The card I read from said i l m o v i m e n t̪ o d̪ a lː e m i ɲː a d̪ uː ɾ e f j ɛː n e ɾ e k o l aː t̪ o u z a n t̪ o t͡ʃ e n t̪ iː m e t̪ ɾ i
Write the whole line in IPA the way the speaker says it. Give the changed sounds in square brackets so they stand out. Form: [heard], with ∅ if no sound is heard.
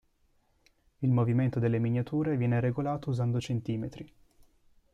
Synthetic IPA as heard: i l m o v i m e n t̪ o d̪ [e] lː e m i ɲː a [t̪] uː ɾ e [v] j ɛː n e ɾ e [ɡ] o l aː t̪ o u z a n [d̪] o t͡ʃ e n t̪ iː m e t̪ ɾ i